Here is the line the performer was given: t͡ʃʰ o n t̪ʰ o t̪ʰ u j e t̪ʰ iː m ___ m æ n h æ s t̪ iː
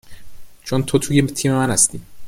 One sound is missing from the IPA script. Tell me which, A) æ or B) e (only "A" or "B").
B